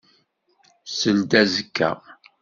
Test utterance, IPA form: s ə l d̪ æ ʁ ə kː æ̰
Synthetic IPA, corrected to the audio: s ə l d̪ æ z ə kː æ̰